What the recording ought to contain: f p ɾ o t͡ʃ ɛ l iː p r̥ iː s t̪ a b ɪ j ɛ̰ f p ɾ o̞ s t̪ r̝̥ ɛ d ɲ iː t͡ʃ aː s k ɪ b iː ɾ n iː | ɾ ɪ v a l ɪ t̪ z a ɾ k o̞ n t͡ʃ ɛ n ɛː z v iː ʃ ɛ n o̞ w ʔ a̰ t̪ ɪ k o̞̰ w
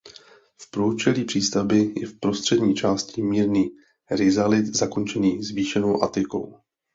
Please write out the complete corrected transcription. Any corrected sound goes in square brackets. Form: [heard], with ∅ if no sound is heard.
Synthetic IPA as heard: f p ɾ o t͡ʃ ɛ l iː p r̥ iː s t̪ a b ɪ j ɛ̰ f p ɾ o̞ s t̪ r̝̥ ɛ d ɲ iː t͡ʃ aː s [c] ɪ [m] iː ɾ n iː | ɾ ɪ [z] a l ɪ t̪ z a [∅] k o̞ n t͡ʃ ɛ n [iː] z v iː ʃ ɛ n o̞ w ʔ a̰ t̪ ɪ k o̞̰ w